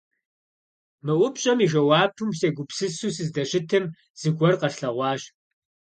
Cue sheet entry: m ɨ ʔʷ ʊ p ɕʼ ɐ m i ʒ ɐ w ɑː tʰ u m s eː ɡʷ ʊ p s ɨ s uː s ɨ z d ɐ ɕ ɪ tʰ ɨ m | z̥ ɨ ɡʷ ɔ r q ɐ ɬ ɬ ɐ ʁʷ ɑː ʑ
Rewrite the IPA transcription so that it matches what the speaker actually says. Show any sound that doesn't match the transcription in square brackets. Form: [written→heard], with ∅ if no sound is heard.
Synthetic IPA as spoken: m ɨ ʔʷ ʊ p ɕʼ ɐ m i ʒ ɐ w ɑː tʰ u m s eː ɡʷ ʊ p s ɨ s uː s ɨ z d ɐ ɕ ɪ tʰ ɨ m | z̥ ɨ ɡʷ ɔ r q ɐ ɬ ɬ ɐ ʁʷ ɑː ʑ